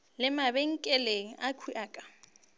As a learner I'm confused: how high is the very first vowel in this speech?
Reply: high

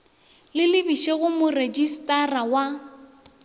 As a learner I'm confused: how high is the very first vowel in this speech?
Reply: high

